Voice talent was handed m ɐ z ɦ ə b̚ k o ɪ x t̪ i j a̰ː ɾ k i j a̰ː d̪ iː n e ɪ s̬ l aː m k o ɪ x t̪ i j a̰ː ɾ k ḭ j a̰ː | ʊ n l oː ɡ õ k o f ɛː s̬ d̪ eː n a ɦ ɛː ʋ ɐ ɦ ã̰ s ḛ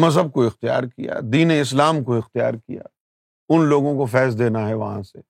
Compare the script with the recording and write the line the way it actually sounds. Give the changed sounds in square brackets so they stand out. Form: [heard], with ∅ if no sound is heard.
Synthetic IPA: m ɐ z ɦ ə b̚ k o ɪ x t̪ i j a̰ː ɾ k i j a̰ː d̪ iː n e ɪ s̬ l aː m k o ɪ x t̪ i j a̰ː ɾ k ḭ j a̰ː | ʊ n l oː ɡ õ k o f ɛː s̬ d̪ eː n a ɦ [ɛ] ʋ ɐ ɦ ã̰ s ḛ